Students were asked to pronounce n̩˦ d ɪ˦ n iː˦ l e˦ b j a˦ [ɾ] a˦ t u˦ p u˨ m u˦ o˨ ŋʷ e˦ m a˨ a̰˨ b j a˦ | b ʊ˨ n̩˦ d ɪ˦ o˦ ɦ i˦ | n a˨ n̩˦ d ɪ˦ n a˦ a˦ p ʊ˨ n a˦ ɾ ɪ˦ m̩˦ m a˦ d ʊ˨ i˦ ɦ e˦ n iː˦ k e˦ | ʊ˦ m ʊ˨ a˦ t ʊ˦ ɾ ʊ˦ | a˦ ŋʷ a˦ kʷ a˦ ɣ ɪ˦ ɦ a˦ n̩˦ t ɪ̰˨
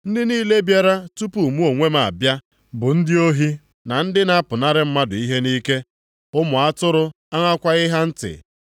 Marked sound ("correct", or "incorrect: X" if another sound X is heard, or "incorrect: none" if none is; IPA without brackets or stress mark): correct